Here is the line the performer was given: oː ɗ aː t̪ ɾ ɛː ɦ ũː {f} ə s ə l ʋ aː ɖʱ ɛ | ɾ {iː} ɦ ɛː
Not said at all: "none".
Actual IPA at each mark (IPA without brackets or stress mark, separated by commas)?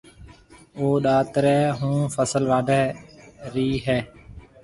f, iː